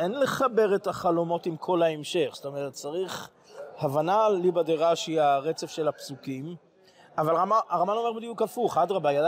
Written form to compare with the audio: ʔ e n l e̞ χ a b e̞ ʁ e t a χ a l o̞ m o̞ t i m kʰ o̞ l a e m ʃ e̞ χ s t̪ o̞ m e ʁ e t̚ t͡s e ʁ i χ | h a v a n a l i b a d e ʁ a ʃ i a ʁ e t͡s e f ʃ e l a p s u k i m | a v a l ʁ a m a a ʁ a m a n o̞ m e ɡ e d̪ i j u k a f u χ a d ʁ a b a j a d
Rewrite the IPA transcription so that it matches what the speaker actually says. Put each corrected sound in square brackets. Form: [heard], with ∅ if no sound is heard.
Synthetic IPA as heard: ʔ e n l e̞ χ a b e̞ ʁ e t a χ a l o̞ m o̞ t i m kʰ o̞ l a e m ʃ e̞ χ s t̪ o̞ m e ʁ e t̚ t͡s [a] ʁ i χ | h a v a n a l i b a d e ʁ a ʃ i a ʁ e t͡s e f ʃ e l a p s u k i m | a v a l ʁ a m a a ʁ a m a n o̞ m e [b] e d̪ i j u k a f u χ a d ʁ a b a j a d